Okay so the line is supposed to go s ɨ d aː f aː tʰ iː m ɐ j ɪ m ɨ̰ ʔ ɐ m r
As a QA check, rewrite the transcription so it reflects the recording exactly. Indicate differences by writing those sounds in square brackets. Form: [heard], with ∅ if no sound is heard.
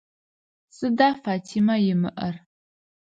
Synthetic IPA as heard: s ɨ d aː f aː tʰ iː m ɐ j ɪ m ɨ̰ ʔ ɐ [∅] r